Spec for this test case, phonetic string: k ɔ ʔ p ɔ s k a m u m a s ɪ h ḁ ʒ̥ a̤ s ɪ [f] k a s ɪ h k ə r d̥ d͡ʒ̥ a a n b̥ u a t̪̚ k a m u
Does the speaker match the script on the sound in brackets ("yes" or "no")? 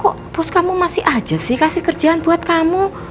no